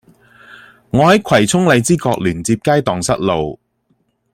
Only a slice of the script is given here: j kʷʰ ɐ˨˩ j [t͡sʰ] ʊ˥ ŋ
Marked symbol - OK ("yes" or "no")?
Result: yes